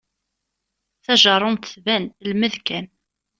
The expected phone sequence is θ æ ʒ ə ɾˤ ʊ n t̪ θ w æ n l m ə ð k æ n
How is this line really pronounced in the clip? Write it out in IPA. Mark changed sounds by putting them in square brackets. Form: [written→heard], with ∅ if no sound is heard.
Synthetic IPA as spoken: θ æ ʒ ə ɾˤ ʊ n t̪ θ [w→v] æ n l m ə ð k æ n